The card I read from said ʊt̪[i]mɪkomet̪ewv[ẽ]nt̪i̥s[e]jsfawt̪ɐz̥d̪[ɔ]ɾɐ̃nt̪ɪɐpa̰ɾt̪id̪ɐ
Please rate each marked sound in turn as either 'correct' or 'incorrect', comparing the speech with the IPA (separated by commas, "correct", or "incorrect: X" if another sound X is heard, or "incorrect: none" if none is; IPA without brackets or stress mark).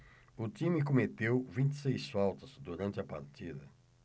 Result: correct, incorrect: ĩ, correct, incorrect: u